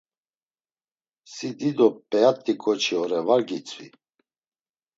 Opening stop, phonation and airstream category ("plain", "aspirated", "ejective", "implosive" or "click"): plain